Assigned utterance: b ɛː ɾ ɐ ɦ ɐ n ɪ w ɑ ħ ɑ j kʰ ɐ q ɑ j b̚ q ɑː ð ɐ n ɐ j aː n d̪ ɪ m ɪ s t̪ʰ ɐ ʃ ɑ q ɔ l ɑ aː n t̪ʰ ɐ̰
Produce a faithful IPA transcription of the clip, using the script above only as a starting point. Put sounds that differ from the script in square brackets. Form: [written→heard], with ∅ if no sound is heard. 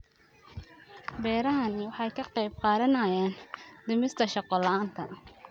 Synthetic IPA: b ɛː ɾ ɐ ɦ ɐ n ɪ w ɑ ħ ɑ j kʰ ɐ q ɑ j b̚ q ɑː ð ɐ n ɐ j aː n d̪ ɪ m ɪ s t̪ʰ ɐ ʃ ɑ q ɔ l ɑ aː n t̪ʰ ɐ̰